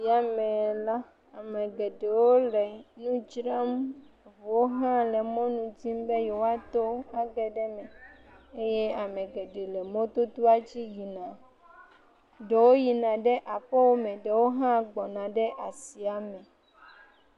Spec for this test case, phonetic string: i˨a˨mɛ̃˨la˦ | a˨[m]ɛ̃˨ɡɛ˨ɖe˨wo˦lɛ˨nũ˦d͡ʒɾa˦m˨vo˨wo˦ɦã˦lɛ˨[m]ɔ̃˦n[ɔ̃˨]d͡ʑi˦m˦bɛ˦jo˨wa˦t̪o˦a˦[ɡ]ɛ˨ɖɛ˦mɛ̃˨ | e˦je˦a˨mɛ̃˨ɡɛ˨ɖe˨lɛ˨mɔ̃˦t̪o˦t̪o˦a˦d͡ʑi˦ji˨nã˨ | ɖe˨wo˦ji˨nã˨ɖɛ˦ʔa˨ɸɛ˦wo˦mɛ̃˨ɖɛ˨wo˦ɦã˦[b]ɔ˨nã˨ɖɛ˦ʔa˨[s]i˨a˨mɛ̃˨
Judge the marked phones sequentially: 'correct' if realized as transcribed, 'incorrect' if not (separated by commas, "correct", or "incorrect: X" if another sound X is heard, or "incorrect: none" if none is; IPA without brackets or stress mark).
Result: correct, correct, incorrect: ũ˨, correct, incorrect: ɡ͡b, correct